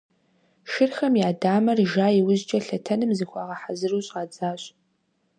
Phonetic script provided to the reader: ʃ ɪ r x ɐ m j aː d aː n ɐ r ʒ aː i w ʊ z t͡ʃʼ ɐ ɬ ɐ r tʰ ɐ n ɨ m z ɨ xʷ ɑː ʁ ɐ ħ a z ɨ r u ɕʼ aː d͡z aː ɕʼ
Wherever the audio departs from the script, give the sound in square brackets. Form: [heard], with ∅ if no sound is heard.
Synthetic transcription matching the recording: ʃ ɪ r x ɐ m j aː d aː [m] ɐ r ʒ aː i w ʊ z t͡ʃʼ ɐ ɬ ɐ [∅] tʰ ɐ n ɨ m z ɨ xʷ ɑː ʁ ɐ ħ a z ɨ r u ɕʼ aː d͡z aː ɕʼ